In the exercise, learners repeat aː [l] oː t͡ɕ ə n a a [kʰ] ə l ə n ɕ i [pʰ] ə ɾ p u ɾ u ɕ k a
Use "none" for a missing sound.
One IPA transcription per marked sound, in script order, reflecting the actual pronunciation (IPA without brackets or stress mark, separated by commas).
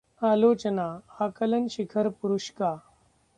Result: l, k, kʰ